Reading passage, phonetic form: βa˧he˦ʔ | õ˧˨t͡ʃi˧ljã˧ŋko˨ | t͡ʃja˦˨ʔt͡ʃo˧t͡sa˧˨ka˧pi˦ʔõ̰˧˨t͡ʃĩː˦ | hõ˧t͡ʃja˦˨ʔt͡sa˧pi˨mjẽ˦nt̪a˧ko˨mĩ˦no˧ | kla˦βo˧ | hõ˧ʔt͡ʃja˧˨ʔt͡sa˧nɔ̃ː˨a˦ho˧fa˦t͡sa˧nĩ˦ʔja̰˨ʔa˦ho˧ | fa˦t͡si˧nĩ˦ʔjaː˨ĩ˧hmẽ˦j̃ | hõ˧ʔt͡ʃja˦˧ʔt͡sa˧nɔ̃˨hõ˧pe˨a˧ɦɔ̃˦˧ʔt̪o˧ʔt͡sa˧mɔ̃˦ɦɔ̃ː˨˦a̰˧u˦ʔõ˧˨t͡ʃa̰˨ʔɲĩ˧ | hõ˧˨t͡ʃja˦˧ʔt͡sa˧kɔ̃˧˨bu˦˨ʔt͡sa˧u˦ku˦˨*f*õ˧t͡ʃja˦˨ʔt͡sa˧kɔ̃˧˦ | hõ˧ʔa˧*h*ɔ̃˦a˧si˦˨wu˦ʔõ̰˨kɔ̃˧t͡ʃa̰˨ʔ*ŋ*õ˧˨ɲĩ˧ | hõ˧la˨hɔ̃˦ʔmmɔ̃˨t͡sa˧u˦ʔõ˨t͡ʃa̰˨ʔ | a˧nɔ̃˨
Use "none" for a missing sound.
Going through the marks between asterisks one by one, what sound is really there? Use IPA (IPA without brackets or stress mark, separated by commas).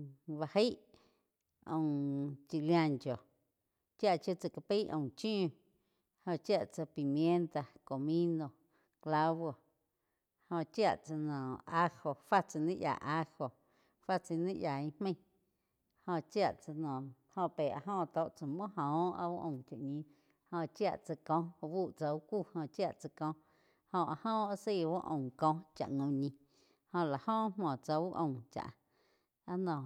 h, h, ŋ